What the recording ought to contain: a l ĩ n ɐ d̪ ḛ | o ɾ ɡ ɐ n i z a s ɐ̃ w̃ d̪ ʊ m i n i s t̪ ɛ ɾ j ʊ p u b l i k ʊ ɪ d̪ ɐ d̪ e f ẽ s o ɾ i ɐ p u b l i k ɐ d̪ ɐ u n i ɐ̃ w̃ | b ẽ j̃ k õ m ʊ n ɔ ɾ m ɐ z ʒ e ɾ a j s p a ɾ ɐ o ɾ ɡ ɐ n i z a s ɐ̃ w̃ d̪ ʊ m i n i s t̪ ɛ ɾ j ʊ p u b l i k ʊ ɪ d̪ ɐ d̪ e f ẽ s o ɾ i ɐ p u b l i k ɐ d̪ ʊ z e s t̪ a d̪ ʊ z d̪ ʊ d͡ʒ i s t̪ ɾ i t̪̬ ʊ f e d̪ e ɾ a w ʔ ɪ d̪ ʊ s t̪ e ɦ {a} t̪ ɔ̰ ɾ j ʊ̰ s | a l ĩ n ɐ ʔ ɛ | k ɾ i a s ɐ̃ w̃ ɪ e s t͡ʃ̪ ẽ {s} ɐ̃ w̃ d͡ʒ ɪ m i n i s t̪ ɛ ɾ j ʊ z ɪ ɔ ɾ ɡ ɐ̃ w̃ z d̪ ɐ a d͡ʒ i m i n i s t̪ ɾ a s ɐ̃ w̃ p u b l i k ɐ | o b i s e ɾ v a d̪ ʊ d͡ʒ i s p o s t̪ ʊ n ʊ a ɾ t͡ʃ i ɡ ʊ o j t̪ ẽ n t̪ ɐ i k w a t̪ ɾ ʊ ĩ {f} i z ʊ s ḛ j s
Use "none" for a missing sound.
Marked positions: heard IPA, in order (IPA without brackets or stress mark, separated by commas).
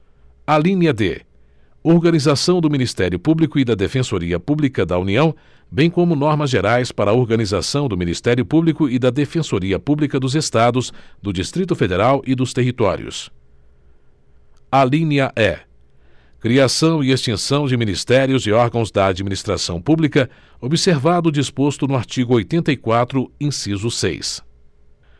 i, s, s